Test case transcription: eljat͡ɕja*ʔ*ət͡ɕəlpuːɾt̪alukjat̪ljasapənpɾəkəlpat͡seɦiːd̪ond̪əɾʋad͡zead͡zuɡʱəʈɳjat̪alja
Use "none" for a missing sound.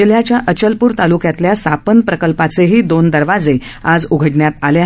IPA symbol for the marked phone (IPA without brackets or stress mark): ʔ